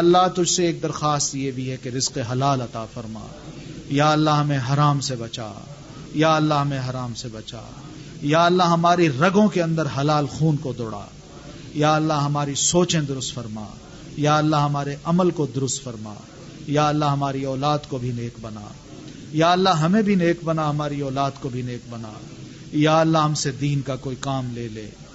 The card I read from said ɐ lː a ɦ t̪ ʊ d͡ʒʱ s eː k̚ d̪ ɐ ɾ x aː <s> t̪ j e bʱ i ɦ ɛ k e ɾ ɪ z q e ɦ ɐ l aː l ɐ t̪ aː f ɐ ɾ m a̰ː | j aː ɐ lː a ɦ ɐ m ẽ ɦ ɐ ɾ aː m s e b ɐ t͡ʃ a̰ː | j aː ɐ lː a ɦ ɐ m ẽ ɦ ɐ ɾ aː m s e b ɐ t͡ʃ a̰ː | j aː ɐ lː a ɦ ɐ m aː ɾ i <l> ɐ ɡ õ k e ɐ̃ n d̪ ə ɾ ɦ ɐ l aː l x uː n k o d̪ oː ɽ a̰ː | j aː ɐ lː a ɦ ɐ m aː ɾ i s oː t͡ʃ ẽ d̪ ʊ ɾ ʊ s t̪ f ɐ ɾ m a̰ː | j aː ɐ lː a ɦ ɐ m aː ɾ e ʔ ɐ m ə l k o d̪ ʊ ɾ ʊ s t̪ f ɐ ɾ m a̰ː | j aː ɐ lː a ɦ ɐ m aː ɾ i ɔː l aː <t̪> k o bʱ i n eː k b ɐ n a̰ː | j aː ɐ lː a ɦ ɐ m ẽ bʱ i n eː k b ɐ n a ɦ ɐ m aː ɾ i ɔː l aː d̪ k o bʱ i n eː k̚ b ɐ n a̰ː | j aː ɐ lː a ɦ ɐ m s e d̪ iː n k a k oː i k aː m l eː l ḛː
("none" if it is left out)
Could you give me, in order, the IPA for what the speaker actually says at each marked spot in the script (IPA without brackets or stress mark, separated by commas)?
s, ɾ, d̪